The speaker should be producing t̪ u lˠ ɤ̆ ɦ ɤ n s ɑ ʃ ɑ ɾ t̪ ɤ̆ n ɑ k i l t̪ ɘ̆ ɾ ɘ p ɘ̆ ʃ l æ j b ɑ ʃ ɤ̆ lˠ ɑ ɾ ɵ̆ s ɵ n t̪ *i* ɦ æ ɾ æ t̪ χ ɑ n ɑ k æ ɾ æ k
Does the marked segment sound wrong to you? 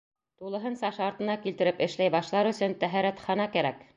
yes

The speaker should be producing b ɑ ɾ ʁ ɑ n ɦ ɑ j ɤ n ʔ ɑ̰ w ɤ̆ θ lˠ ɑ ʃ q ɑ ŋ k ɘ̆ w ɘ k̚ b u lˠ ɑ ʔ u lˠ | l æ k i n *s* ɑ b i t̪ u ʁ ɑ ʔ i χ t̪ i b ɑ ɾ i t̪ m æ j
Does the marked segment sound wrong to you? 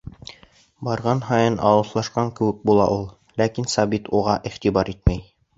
no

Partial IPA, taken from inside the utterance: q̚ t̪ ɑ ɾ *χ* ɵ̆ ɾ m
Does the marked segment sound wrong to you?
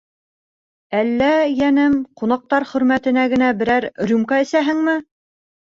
no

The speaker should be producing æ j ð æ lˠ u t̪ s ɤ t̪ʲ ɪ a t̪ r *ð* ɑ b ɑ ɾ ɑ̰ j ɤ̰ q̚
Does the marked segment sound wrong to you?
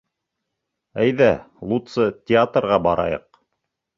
yes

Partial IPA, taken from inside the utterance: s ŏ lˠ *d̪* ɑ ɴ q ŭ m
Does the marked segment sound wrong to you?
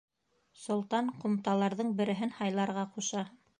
yes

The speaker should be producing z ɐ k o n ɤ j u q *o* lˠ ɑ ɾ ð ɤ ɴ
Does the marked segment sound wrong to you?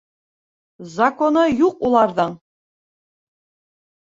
yes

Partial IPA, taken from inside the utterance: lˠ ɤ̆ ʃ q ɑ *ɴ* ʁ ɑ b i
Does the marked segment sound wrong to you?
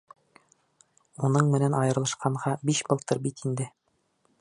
no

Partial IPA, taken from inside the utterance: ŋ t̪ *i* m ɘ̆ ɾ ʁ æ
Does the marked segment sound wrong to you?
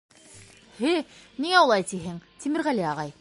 no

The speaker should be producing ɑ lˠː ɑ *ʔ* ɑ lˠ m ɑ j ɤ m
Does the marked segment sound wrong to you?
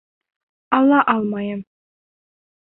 no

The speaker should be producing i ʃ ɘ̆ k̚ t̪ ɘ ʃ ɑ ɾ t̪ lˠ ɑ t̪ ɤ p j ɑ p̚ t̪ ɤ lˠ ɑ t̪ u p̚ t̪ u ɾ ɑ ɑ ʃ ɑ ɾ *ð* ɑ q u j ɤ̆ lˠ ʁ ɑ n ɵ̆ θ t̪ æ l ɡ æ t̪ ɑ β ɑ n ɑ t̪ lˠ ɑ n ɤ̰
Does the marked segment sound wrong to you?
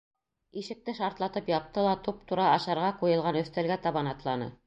yes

